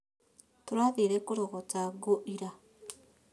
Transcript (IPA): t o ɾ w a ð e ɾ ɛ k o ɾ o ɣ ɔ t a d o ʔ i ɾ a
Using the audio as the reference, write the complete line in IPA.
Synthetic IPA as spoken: t o ɾ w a ð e ɾ ɛ k o ɾ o ɣ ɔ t a ɡ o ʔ i ɾ a